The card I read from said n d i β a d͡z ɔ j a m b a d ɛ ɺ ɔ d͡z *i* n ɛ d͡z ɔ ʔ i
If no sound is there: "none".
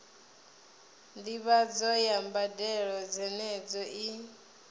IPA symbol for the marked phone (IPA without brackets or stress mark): ɛ